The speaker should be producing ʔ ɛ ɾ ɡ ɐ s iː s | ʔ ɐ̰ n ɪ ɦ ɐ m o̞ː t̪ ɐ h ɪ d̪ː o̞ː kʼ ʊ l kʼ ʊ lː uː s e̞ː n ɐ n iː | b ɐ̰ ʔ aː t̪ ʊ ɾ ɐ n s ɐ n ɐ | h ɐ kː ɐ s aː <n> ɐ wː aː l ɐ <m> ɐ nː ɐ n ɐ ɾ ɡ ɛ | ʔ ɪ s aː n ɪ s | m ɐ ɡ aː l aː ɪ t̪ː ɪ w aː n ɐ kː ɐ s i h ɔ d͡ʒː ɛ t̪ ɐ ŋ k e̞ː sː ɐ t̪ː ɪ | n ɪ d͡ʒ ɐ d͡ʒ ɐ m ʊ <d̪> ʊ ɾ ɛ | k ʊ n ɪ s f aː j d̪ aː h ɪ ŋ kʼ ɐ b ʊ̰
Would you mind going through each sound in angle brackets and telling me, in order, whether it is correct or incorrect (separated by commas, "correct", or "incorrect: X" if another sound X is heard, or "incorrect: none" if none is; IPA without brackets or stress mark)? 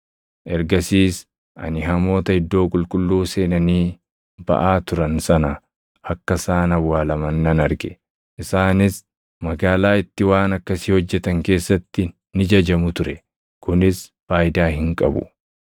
correct, correct, incorrect: t̪